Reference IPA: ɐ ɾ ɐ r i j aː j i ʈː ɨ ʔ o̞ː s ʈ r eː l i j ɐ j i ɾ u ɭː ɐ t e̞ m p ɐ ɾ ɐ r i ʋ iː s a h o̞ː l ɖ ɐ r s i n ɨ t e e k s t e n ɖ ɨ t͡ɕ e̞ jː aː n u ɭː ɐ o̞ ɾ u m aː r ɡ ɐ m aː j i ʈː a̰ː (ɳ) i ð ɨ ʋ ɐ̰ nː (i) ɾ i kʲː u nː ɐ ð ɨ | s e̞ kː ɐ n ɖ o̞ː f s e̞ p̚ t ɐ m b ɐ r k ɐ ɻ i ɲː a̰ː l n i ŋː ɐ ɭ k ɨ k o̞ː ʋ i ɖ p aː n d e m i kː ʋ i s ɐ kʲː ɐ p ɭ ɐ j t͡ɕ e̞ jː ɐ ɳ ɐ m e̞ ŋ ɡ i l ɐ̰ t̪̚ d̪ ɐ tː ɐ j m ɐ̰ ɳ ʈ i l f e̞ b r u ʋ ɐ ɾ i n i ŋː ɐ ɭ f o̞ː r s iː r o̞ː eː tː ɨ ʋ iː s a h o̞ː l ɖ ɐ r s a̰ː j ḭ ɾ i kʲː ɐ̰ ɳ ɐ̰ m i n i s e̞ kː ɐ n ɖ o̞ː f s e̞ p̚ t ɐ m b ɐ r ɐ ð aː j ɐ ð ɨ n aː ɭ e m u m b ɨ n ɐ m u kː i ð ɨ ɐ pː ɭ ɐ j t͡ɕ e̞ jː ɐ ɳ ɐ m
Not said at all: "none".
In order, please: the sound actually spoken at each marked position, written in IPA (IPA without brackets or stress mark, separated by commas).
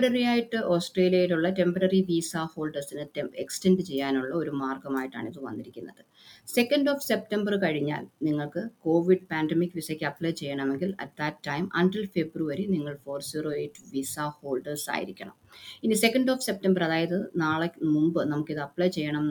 ɳ, i